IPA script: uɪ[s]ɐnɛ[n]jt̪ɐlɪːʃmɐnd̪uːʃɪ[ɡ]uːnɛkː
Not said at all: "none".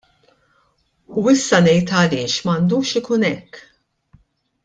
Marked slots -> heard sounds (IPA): sː, none, k

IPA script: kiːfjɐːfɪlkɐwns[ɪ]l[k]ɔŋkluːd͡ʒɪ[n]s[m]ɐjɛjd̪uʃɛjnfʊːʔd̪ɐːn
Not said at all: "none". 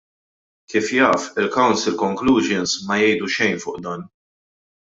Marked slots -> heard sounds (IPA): ɪ, k, n, m

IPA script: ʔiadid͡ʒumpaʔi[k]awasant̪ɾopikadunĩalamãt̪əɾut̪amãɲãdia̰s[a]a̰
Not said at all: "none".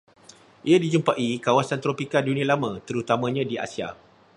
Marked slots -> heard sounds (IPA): k, i

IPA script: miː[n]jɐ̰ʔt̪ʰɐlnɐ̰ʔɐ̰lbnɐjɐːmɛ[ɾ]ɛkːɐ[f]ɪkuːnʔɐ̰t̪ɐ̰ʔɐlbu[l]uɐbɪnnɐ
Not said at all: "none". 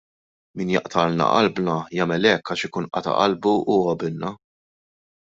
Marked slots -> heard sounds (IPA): n, l, ʃ, none

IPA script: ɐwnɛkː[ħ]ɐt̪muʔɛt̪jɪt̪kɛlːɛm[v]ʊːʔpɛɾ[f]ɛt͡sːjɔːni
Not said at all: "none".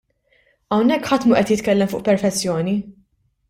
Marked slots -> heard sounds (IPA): ħ, f, f

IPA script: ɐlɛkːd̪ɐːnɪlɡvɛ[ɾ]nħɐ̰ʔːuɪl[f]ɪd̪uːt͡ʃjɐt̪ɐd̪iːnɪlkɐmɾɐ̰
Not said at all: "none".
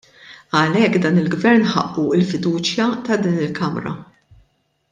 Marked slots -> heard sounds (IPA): ɾ, f

